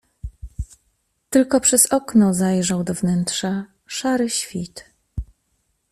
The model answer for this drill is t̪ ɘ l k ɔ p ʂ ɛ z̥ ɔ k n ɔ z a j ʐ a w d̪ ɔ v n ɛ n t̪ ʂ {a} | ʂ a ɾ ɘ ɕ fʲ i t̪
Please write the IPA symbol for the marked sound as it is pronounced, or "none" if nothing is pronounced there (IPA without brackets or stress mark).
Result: a